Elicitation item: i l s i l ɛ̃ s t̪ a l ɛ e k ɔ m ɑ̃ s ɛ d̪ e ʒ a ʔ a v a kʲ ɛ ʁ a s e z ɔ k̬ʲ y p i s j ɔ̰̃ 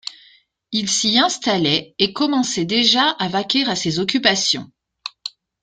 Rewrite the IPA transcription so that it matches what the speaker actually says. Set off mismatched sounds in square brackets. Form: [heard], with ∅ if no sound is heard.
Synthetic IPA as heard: i l s i [∅] ɛ̃ s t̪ a l ɛ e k ɔ m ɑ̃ s ɛ d̪ e ʒ a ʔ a v a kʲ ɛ ʁ a s e z ɔ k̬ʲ y p [a] s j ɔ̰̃

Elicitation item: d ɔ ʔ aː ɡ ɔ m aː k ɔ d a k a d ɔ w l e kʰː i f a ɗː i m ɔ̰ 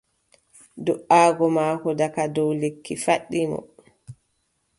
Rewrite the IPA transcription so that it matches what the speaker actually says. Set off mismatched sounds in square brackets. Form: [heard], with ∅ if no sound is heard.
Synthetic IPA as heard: d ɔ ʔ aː ɡ ɔ m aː k ɔ d a k a d ɔ w l e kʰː i f a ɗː i m ɔ̰

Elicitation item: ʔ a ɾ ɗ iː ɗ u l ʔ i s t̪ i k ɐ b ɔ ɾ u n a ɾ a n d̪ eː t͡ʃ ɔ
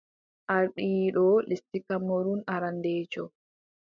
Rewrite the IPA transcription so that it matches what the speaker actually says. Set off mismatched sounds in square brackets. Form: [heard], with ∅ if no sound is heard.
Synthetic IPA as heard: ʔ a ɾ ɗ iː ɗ [ɔ] l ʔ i s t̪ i k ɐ [m] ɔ ɾ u n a ɾ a n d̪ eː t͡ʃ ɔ

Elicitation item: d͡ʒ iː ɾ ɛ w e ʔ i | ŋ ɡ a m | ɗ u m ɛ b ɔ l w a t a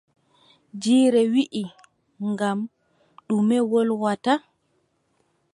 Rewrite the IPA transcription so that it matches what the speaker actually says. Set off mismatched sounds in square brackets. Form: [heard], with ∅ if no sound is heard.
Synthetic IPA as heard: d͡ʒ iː ɾ ɛ w [i] ʔ i | ŋ ɡ a m | ɗ u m ɛ [w] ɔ l w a t a

